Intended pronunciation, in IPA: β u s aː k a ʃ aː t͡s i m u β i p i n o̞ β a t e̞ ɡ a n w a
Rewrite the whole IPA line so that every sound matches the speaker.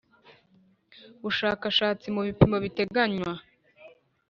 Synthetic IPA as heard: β u ʃ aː k a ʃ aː t͡s i m u β i p i m o̞ β i t e̞ ɡ a ɲ w a